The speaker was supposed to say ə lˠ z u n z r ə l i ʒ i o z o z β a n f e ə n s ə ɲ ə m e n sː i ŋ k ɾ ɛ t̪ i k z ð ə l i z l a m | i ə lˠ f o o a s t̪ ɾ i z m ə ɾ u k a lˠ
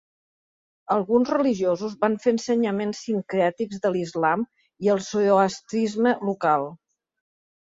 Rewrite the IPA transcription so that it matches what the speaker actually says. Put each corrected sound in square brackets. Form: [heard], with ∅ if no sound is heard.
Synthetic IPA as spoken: ə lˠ [ɣ] u n z r ə l i ʒ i o z [u] z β a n f e ə n s ə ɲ ə m e n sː i ŋ k ɾ ɛ t̪ i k z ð ə l i z l a m | i ə lˠ [s] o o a s t̪ ɾ i z m ə [l] u k a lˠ